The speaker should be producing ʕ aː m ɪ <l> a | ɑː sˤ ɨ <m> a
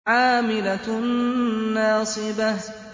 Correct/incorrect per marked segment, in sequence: correct, incorrect: b

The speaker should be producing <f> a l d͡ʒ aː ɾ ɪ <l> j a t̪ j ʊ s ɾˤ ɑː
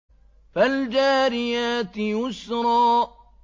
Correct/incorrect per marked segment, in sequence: correct, incorrect: none

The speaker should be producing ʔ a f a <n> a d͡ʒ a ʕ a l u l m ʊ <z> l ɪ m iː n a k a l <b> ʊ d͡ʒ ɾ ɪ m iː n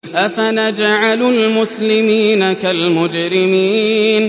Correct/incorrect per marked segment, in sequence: correct, incorrect: s, incorrect: m

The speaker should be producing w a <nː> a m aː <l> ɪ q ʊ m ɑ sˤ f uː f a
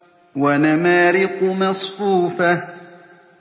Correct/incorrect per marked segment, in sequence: incorrect: n, incorrect: ɾ

